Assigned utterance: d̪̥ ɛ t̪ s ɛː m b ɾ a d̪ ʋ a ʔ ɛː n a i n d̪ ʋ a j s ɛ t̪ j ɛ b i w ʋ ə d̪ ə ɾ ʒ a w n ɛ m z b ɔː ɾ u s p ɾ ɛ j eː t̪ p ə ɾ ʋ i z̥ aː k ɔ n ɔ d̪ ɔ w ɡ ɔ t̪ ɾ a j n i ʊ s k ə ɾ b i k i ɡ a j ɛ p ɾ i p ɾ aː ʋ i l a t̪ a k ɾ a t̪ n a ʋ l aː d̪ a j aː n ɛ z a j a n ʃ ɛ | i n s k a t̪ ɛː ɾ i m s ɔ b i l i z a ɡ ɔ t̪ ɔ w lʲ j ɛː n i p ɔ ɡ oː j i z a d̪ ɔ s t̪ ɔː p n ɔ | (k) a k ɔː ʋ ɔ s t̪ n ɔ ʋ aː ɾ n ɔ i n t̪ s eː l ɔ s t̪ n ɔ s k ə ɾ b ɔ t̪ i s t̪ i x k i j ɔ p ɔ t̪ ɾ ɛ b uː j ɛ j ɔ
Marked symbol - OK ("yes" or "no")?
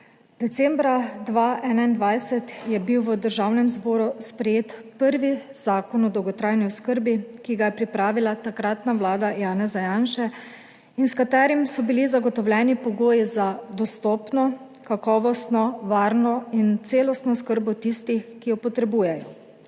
yes